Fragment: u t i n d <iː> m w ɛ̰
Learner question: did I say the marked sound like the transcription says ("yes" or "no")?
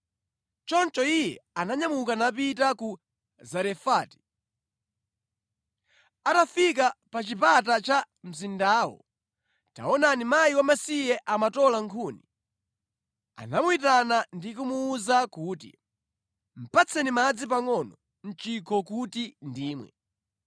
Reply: yes